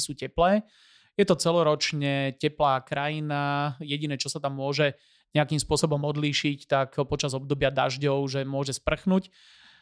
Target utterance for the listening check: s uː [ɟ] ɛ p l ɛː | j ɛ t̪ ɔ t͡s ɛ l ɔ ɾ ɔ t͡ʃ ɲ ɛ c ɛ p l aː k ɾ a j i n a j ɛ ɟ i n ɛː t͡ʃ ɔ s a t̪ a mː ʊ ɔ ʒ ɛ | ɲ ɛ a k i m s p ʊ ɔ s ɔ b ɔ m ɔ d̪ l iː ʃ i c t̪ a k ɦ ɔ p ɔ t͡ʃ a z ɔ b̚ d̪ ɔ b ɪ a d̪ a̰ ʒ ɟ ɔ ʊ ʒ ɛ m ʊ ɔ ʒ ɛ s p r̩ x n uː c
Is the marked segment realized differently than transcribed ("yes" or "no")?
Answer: yes